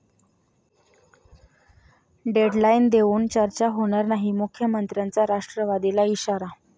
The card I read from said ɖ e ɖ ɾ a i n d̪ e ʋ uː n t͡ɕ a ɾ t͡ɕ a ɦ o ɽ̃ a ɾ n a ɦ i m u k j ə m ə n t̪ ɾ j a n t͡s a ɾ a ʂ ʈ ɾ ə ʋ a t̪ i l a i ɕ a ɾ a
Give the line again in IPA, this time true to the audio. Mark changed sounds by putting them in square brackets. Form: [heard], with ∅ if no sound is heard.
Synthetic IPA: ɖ e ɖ [l] a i n d̪ e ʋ uː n t͡ɕ [ə] ɾ t͡ɕ a ɦ o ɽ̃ a ɾ n a ɦ i m u [kʰ] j ə m ə n t̪ ɾ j a n t͡s a ɾ a ʂ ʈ ɾ ə ʋ a [d̪] i l a i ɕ a ɾ a